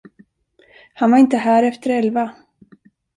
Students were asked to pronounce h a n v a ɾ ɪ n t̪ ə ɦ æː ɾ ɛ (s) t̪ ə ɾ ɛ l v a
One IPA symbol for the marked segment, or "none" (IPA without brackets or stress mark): f